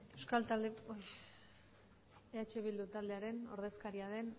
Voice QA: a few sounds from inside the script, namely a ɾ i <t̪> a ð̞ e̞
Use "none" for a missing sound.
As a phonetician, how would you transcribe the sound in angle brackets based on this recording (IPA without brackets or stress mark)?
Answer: none